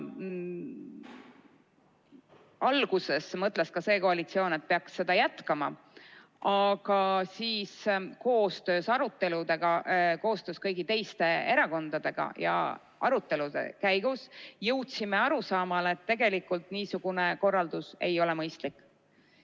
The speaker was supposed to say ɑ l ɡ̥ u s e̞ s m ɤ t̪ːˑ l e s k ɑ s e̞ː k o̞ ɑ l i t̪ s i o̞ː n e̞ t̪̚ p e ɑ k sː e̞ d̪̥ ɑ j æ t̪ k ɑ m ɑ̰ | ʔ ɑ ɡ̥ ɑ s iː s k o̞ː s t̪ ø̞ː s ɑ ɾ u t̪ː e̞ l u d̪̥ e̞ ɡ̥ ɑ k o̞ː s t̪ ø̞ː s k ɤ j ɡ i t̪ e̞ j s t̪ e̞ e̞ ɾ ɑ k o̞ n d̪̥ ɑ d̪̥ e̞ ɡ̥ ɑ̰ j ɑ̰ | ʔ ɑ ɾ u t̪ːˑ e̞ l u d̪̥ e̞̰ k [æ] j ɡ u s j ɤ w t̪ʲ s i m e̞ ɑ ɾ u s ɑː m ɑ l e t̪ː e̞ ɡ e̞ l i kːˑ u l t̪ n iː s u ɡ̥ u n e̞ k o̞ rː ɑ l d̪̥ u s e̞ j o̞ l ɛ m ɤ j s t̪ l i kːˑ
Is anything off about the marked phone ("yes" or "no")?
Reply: no